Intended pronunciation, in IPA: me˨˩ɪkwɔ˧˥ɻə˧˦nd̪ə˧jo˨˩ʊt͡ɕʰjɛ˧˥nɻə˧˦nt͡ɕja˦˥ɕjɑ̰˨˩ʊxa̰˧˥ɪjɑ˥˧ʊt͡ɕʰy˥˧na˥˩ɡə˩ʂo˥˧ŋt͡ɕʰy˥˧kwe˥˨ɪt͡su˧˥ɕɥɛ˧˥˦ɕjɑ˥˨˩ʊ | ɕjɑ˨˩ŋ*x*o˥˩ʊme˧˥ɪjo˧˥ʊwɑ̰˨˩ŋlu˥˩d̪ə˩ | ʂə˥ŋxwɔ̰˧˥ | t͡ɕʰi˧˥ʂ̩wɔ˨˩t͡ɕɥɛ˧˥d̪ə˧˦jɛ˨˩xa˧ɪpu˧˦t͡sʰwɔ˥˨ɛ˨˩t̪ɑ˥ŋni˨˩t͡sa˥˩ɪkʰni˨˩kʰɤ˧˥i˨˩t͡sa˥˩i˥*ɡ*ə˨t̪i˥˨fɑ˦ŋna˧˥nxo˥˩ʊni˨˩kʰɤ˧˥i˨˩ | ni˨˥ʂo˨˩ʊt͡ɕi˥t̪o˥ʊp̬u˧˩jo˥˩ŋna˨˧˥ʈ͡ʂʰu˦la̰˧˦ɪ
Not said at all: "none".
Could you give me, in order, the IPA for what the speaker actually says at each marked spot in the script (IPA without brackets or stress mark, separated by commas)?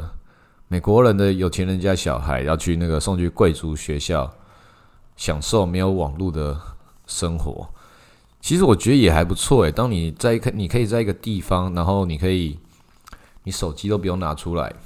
ʂ, ɡ